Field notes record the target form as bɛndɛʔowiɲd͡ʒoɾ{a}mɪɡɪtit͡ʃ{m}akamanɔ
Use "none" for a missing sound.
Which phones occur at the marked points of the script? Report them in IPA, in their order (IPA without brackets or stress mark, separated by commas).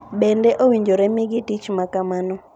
ɛ, m